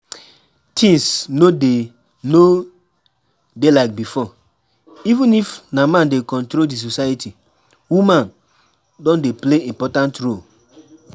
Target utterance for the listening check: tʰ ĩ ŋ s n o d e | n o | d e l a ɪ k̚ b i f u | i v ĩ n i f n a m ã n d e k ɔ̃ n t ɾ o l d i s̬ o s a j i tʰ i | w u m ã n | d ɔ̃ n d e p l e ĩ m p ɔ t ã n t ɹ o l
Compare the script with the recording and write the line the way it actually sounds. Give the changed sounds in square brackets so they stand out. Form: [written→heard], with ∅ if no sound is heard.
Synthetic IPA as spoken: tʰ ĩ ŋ s n o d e | n o | d e l a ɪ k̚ b i f [u→ɔ] | i v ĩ n i f n a m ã n d e k ɔ̃ n t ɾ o l d i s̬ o s a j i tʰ i | w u m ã n | d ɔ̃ n d e p l e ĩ m p ɔ t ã n t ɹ o l